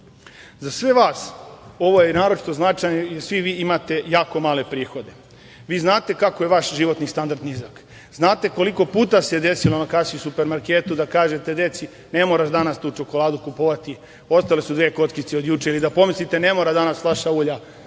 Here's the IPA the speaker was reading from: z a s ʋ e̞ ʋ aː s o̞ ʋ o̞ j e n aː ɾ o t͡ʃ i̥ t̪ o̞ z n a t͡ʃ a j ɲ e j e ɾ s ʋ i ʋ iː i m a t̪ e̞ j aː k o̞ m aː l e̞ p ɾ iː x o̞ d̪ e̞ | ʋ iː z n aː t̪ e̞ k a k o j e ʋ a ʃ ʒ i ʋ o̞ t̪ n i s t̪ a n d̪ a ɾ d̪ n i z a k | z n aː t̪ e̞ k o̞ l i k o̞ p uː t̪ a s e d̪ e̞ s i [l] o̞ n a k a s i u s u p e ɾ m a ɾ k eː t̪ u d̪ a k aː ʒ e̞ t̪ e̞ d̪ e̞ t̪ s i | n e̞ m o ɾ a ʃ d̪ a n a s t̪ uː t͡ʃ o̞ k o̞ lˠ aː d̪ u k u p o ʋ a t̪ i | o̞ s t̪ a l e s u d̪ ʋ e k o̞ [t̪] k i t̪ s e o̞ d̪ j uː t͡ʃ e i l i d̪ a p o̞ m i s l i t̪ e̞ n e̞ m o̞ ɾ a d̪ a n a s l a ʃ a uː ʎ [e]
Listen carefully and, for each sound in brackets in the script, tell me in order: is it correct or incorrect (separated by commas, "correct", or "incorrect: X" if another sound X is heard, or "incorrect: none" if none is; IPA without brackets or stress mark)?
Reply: correct, correct, incorrect: a